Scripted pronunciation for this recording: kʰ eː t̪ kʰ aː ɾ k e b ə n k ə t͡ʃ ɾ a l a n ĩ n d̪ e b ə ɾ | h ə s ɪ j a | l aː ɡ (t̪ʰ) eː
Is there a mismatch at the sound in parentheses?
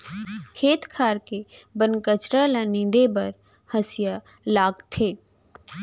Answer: no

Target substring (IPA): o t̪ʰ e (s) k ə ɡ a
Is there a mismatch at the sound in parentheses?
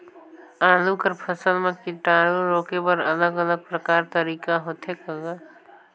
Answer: yes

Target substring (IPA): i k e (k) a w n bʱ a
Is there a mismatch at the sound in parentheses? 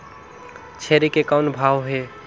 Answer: no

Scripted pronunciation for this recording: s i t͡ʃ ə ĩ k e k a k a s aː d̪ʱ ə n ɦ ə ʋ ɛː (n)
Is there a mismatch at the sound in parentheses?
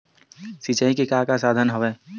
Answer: yes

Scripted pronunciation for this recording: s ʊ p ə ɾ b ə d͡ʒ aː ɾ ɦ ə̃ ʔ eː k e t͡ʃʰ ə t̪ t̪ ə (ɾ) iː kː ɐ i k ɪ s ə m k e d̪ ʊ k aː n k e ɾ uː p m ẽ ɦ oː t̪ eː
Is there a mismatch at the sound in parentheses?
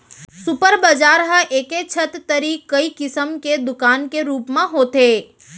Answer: no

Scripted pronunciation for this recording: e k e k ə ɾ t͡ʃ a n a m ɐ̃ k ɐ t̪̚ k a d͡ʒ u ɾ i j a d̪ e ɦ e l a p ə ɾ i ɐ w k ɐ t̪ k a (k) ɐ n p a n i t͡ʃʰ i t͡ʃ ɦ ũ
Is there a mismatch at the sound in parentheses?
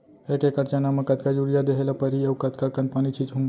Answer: no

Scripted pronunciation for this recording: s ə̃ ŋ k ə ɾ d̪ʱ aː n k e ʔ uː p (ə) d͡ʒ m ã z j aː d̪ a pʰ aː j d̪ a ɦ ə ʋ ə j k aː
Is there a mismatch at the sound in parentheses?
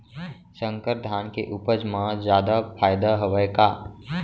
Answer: no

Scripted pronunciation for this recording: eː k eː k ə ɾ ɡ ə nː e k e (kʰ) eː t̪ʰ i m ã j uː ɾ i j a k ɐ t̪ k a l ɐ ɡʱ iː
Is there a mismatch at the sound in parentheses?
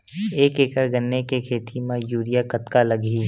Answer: no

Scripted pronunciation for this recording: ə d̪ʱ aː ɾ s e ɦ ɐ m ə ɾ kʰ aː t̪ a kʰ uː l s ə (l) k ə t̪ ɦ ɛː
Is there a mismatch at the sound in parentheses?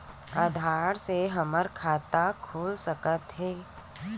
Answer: yes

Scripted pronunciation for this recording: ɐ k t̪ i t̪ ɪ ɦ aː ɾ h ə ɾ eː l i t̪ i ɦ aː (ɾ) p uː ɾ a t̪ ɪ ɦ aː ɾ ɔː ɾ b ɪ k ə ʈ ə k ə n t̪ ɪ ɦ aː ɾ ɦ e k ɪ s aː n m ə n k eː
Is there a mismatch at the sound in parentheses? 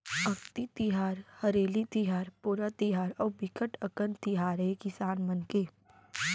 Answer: no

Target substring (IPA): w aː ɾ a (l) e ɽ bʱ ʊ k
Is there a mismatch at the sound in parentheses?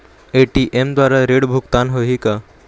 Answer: yes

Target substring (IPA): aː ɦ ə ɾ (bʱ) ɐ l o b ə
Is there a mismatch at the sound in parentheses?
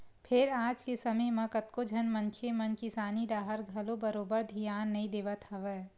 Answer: yes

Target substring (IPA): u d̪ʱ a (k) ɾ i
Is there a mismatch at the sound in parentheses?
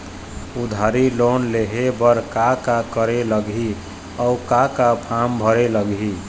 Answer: yes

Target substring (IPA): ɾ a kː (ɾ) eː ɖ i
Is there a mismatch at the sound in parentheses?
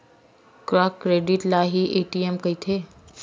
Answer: no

